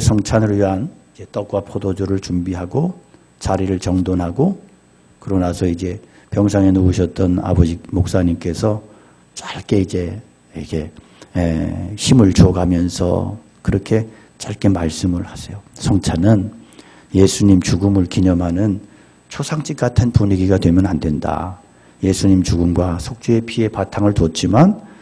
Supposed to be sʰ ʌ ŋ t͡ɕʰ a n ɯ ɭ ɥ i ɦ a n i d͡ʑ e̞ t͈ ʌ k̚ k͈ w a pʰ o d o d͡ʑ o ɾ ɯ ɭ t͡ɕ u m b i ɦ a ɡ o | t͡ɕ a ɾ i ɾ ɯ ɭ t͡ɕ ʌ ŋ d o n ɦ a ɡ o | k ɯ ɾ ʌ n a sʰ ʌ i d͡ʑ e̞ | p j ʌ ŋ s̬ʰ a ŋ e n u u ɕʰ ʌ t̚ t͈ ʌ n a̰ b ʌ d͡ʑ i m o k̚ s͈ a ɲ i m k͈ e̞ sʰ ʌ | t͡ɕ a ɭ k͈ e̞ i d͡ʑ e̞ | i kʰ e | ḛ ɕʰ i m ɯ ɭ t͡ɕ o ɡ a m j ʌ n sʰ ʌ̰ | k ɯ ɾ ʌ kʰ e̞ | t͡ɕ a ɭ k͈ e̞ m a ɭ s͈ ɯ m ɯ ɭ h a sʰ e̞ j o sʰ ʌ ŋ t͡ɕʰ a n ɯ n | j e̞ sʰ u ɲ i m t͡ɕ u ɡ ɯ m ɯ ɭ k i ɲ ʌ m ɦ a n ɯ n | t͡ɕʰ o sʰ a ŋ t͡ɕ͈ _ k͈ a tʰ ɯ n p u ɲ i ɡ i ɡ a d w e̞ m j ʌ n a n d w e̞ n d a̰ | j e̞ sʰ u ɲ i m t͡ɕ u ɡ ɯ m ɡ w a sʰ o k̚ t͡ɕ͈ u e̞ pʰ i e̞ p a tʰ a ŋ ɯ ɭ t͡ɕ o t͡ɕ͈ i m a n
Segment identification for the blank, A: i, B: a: A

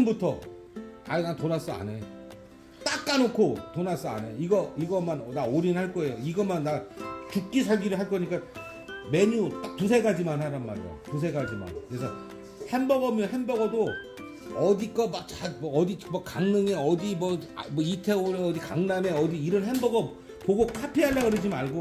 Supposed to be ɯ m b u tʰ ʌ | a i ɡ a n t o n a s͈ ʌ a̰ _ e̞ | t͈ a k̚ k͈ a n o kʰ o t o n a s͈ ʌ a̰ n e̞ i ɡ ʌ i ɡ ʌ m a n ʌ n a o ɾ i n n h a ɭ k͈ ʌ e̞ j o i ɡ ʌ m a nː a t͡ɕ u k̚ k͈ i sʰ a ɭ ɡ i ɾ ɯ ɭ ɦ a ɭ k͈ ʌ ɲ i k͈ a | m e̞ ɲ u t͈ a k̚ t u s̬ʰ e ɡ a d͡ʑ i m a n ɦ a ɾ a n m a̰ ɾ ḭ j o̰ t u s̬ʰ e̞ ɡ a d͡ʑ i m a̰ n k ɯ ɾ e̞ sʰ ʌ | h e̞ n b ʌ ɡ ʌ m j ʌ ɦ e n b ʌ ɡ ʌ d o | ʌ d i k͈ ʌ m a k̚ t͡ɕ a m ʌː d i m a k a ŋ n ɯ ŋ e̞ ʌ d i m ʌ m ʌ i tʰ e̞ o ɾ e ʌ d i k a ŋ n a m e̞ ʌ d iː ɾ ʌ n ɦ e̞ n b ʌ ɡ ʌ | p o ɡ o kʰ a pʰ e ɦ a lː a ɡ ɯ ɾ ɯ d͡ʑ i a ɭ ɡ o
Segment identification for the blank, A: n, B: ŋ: A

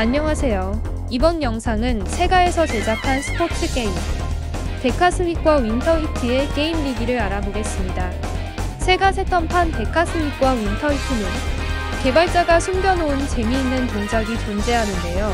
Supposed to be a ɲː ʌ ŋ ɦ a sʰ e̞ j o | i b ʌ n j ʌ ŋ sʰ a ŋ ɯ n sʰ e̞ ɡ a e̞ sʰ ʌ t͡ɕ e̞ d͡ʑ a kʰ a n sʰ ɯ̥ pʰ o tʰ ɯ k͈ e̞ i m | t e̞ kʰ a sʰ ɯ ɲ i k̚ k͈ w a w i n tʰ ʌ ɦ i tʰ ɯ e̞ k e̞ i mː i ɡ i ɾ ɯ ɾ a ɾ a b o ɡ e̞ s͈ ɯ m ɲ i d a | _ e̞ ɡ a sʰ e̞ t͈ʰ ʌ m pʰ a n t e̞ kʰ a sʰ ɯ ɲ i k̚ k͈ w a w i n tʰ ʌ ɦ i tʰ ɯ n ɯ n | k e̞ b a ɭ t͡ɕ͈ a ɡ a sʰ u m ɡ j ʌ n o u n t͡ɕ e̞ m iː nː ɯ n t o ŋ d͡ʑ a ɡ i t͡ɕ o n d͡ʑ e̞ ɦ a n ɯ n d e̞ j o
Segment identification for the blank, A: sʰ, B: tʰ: A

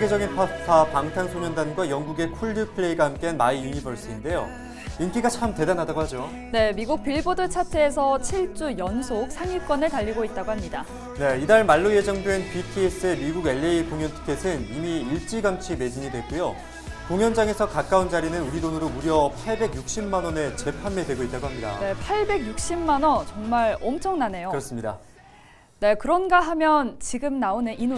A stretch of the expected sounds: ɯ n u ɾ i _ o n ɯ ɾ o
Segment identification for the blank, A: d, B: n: A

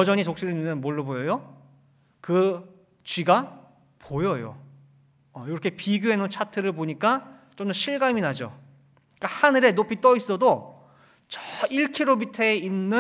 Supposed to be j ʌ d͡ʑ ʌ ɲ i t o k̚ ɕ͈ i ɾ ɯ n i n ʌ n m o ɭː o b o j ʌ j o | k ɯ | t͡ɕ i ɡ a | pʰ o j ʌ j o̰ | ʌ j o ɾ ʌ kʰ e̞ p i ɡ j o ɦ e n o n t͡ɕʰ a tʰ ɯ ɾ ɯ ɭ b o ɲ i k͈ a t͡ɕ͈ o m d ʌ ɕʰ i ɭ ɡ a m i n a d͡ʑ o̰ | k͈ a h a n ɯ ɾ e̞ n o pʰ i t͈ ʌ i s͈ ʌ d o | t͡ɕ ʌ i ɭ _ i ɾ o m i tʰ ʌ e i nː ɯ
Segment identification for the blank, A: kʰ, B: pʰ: A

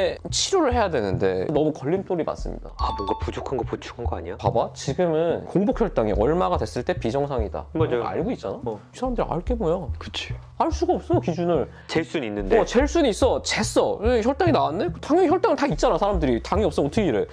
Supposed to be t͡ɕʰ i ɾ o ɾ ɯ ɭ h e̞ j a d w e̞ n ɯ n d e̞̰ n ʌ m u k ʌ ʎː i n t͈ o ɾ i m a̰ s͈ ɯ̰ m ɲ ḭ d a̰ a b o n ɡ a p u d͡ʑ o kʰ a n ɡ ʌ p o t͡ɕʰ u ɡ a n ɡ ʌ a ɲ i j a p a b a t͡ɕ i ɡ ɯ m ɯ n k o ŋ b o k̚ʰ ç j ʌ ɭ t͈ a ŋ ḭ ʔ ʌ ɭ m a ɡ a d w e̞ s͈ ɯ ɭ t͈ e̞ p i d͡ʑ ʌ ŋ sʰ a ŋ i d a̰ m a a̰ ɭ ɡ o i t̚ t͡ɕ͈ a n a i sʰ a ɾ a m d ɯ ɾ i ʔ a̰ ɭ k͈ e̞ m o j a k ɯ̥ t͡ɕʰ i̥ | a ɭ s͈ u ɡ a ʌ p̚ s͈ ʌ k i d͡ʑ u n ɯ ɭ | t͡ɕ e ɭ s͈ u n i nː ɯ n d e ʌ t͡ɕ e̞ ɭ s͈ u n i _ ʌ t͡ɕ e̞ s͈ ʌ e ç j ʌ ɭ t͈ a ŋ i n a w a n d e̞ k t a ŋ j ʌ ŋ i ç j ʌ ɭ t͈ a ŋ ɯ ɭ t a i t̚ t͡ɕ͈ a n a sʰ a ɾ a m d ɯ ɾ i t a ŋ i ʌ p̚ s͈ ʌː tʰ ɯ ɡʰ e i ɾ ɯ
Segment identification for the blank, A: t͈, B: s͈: B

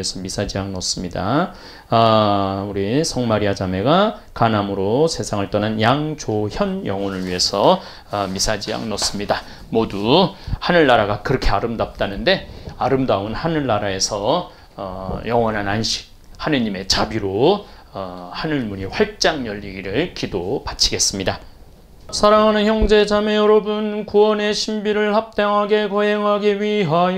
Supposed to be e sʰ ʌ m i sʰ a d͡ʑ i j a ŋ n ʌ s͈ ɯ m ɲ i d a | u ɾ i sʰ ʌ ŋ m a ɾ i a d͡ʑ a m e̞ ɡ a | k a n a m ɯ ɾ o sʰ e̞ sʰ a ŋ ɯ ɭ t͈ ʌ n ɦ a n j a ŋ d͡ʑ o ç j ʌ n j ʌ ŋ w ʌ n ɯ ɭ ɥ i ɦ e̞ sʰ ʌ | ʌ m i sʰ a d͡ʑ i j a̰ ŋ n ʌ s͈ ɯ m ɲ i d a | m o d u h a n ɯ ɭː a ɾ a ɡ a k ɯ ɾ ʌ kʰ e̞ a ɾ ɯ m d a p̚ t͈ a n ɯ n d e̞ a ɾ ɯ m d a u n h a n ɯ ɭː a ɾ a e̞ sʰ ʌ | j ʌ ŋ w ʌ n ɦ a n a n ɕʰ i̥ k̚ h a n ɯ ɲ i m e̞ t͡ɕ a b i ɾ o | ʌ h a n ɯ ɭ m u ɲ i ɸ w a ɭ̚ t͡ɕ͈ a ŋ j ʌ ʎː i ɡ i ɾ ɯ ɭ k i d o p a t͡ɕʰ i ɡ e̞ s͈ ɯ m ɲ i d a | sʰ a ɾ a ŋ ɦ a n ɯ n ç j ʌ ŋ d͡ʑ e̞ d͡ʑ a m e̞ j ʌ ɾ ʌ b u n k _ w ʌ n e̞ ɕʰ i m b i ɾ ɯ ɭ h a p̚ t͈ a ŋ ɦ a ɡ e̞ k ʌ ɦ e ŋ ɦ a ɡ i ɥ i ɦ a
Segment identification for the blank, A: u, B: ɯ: A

